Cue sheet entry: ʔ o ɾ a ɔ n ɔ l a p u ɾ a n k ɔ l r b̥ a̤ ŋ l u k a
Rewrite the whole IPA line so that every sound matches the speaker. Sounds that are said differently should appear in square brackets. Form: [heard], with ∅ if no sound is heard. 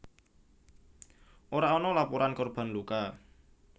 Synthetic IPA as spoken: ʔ o ɾ a ɔ n ɔ l a p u ɾ a n k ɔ [∅] r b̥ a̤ [n] l u k a